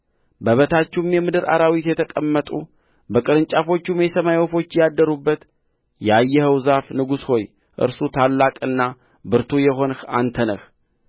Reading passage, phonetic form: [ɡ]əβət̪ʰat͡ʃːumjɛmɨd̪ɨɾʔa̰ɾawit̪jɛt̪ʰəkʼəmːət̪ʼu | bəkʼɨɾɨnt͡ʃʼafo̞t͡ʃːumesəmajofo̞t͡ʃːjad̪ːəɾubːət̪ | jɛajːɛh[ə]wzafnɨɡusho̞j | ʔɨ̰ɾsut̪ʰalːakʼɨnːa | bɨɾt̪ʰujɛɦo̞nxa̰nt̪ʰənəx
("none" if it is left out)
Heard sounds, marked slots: b, ə

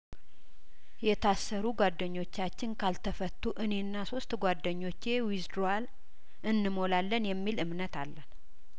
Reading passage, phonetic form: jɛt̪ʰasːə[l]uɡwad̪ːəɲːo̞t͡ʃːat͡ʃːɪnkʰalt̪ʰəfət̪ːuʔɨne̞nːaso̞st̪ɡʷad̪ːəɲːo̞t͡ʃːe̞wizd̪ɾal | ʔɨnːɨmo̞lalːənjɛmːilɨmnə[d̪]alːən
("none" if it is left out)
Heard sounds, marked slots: ɾ, t̪

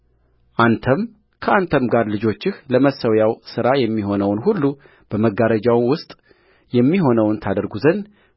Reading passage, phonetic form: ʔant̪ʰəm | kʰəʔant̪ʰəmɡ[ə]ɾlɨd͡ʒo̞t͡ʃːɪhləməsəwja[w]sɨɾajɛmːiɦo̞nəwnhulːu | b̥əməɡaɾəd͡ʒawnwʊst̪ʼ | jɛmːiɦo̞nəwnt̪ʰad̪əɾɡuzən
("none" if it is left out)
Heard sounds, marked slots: a, w

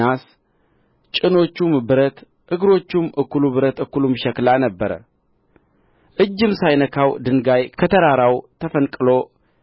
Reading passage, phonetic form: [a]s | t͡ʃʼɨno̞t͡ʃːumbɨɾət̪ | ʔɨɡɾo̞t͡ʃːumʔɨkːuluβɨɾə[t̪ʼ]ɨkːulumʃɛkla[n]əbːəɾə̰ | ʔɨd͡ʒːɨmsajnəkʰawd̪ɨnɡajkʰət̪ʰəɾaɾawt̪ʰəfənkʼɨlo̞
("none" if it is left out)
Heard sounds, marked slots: a, t̪, n

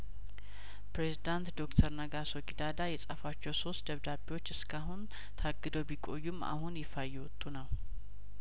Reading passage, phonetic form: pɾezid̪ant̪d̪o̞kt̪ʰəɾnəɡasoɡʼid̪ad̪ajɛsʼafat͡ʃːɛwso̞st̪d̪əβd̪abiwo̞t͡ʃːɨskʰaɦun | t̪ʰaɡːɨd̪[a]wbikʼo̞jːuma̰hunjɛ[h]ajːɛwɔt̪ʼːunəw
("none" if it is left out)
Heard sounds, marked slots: ə, f

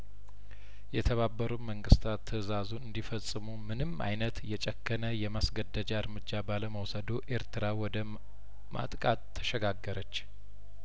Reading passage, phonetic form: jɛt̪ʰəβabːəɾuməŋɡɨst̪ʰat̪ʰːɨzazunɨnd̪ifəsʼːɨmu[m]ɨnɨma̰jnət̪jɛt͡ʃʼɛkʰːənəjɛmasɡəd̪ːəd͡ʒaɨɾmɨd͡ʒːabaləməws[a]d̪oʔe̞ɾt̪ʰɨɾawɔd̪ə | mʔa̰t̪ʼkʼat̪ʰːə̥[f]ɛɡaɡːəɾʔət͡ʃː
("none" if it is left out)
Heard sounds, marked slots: m, ə, ʃ

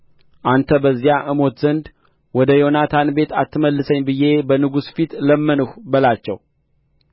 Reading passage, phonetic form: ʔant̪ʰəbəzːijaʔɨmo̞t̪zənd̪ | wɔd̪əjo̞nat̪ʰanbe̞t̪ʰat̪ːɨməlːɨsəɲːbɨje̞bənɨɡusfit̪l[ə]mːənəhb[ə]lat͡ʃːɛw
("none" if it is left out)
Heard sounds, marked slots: ə, ə

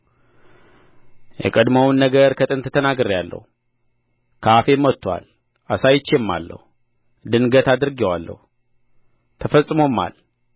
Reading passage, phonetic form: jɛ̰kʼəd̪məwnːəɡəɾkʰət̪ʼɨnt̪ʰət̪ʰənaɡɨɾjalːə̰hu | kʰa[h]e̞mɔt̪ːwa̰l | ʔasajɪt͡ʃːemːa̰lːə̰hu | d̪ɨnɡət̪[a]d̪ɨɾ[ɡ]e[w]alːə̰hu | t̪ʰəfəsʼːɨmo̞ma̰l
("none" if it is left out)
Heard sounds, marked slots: f, a, ɡ, w

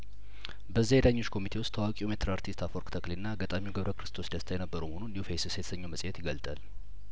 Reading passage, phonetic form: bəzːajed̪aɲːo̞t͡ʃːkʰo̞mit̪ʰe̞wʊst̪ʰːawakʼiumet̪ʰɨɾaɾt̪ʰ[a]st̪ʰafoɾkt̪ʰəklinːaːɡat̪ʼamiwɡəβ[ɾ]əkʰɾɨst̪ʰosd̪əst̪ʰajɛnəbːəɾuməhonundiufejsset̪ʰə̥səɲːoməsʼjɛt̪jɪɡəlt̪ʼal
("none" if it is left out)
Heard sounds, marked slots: i, ɾ

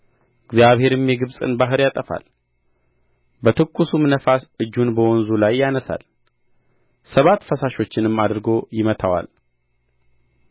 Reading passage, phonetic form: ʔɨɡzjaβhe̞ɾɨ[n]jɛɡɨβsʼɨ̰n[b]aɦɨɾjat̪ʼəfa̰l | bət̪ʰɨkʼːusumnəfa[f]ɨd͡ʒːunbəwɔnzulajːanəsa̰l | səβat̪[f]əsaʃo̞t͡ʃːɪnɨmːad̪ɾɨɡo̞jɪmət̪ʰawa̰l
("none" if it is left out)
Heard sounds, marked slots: m, b, s, f

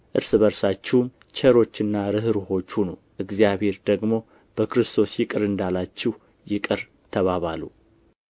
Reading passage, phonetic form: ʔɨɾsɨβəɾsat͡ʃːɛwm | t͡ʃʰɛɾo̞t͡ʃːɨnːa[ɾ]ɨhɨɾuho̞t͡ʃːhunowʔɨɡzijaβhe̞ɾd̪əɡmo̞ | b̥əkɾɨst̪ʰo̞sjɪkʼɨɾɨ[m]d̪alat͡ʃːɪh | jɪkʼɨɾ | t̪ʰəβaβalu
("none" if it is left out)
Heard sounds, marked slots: ɾ, n

